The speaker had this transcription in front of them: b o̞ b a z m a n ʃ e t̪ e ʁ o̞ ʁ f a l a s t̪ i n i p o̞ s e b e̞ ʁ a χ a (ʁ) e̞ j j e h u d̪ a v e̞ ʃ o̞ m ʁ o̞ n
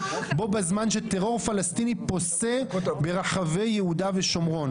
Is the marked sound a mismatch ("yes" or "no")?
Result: yes